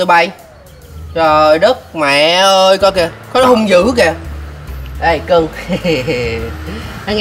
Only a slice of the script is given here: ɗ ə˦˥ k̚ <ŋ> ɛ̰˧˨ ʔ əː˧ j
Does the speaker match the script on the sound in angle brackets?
no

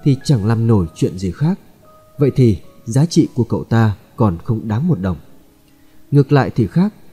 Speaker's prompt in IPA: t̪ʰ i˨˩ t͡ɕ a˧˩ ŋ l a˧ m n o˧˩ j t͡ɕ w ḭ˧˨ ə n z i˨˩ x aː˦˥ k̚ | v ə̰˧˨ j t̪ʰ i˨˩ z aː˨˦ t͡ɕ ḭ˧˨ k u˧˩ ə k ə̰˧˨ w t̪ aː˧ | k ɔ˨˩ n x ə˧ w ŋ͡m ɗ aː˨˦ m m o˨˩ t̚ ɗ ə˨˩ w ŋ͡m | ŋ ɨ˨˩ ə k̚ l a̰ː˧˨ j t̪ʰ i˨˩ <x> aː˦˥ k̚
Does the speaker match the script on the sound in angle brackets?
yes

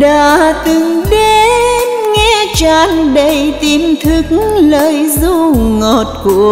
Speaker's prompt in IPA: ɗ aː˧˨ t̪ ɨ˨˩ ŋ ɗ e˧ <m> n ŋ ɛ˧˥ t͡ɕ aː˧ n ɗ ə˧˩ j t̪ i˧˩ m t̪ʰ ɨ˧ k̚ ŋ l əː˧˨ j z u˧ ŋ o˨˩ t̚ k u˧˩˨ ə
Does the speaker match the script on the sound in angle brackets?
no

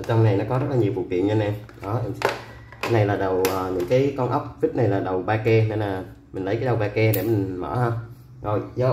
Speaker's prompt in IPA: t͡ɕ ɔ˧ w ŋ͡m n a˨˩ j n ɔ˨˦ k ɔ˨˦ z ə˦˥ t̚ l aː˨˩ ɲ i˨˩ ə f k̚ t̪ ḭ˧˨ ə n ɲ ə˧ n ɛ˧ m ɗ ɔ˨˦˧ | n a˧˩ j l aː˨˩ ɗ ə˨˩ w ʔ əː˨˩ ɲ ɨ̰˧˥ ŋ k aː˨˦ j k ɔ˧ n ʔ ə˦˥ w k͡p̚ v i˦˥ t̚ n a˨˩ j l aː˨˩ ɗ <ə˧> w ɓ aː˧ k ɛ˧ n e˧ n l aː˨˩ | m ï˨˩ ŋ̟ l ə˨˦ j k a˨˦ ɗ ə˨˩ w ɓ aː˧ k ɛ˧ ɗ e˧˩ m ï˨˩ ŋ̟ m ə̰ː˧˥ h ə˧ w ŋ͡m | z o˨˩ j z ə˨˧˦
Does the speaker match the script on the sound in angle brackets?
no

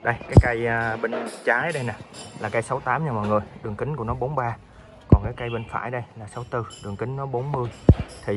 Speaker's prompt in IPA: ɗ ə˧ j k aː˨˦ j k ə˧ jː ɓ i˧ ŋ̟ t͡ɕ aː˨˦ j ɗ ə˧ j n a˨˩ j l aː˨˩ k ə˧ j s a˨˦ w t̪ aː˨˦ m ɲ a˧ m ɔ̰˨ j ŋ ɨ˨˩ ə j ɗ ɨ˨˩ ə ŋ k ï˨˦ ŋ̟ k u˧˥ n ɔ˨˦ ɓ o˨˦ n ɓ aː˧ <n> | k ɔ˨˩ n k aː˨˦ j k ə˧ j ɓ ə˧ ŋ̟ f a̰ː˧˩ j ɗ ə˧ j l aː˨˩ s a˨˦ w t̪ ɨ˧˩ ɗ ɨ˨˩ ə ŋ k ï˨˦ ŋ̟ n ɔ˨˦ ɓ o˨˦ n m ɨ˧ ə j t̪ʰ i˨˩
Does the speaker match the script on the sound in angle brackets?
no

